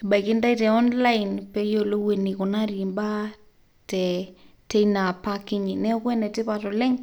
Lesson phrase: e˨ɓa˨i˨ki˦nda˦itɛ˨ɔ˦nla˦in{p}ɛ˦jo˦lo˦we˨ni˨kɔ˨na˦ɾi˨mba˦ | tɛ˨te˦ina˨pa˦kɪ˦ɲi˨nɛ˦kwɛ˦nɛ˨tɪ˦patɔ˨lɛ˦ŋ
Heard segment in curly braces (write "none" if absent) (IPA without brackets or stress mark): p